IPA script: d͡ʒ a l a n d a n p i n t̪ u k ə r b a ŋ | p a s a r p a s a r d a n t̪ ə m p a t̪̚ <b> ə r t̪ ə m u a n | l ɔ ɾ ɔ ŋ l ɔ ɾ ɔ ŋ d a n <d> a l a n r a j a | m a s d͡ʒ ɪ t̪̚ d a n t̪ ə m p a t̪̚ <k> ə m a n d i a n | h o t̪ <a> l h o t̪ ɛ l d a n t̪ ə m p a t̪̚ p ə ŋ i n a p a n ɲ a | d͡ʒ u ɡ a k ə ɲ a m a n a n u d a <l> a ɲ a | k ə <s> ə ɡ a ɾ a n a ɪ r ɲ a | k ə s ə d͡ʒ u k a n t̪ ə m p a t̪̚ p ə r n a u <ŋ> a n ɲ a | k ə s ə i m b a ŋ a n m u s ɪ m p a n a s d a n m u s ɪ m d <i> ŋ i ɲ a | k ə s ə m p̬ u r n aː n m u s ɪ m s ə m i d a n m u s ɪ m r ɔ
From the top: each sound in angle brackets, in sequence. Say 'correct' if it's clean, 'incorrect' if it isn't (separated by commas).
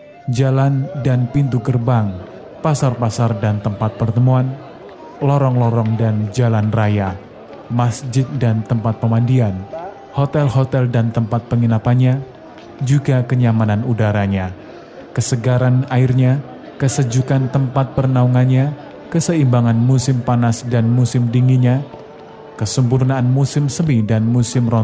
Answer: incorrect, incorrect, incorrect, incorrect, incorrect, correct, correct, correct